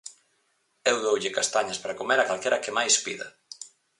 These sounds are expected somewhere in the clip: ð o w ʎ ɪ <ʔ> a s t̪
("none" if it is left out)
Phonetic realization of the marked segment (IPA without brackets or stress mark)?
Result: k